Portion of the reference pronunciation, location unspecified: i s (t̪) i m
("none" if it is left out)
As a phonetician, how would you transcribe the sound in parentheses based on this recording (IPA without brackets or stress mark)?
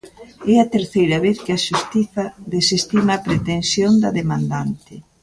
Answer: t̪